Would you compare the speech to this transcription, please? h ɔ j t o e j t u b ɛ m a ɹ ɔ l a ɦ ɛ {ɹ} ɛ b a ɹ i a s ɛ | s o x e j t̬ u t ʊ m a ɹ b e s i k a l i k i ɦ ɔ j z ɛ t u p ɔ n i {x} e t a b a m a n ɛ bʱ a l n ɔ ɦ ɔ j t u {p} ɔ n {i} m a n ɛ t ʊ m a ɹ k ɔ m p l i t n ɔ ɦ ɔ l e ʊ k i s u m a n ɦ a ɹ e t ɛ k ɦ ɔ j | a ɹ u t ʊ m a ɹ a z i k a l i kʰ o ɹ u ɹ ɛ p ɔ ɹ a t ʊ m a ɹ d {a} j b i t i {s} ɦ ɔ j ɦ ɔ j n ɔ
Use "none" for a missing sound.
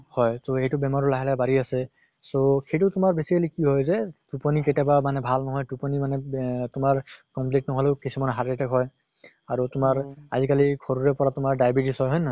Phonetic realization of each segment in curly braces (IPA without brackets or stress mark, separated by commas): l, k, p, i, a, s